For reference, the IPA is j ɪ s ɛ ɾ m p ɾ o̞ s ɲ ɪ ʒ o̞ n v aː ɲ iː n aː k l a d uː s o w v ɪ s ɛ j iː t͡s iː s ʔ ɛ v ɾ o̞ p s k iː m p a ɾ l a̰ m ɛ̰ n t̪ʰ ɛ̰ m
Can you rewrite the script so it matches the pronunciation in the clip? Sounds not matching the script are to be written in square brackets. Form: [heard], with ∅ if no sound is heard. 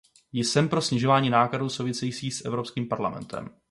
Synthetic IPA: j ɪ s ɛ [∅] m p ɾ o̞ s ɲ ɪ ʒ o̞ [∅] v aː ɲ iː n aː k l a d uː s o w v ɪ s ɛ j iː t͡s iː s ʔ ɛ v ɾ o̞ p s k iː m p a ɾ l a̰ m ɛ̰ n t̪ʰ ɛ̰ m